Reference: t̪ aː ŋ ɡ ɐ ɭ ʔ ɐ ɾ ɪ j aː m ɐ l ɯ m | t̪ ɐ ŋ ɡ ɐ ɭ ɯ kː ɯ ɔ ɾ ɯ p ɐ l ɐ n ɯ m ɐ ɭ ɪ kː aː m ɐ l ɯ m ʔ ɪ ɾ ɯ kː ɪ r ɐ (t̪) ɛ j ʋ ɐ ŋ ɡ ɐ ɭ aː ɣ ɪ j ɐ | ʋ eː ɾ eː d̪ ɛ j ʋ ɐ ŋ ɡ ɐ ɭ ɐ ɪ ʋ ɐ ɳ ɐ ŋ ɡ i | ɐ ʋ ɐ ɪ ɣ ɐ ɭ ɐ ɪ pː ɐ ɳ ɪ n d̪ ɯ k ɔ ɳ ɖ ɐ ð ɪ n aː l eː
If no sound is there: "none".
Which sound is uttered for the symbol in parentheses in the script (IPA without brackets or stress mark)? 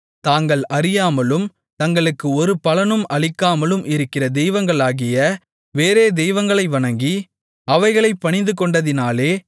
d̪